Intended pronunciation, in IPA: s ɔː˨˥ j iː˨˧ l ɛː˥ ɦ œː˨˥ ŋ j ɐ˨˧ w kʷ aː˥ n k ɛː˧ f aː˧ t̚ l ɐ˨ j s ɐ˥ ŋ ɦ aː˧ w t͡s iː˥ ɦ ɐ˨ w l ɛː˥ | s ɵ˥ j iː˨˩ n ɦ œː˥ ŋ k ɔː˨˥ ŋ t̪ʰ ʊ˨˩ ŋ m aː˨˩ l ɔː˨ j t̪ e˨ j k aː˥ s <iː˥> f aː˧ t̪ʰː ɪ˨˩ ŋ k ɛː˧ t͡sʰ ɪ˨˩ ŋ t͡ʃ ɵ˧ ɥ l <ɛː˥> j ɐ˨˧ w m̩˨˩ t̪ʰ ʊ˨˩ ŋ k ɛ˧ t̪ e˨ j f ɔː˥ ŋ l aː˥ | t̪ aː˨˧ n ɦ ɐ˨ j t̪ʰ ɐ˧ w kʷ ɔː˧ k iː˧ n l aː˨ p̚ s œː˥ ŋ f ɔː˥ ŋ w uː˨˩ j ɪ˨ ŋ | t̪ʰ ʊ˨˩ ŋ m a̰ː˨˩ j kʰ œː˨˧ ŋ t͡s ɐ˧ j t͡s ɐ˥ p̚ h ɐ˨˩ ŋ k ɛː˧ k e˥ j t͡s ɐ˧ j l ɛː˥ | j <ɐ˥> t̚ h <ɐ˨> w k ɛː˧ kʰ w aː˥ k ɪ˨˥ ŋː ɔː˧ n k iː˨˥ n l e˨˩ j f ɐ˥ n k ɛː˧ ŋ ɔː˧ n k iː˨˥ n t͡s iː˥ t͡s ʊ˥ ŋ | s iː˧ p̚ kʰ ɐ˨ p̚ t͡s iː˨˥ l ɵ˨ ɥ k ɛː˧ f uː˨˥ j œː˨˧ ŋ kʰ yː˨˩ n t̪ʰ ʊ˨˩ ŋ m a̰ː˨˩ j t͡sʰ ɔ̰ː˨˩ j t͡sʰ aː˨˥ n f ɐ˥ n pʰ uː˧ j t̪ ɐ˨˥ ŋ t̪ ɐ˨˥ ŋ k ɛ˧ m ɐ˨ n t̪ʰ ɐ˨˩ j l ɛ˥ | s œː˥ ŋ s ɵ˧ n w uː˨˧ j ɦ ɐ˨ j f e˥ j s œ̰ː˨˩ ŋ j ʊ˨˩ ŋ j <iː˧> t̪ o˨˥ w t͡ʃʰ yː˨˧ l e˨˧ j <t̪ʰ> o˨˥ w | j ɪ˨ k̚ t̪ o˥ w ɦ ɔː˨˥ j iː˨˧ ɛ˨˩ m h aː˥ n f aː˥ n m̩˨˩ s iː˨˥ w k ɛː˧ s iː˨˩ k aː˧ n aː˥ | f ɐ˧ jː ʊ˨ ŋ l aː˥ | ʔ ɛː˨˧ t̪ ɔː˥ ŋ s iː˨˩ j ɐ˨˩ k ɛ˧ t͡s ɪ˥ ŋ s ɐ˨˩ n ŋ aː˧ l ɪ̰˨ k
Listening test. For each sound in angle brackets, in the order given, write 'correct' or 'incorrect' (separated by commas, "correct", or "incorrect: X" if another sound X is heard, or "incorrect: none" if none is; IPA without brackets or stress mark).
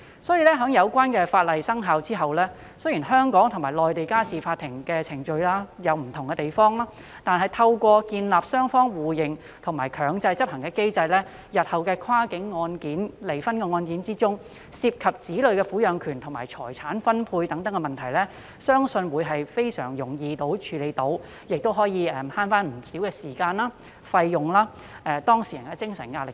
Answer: incorrect: iː˨, incorrect: aː˥, incorrect: ɐ˨, correct, correct, incorrect: t̪